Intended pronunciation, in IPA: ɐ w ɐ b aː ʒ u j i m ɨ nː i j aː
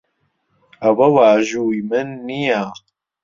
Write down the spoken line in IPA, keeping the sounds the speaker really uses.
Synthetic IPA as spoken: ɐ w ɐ w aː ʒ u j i m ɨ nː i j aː